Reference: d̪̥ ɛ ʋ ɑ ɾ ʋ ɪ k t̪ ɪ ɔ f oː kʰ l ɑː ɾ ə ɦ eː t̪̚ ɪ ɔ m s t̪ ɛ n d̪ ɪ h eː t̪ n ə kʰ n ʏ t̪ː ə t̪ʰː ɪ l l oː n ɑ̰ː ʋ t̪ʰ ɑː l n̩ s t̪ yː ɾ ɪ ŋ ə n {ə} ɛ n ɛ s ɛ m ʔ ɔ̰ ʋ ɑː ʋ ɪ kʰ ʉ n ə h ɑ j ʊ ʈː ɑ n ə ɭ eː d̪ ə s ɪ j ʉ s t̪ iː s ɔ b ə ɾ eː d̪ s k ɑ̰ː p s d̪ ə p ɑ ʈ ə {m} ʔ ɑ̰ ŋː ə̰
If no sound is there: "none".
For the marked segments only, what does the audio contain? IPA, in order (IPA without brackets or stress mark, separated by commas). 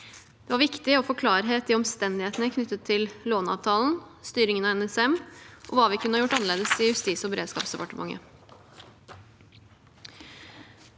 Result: ɑ, m